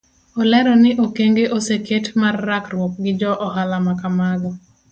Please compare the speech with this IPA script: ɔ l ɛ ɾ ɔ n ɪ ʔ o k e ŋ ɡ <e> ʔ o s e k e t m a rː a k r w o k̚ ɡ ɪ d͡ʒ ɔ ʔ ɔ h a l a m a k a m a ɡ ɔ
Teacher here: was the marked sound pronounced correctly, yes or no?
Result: yes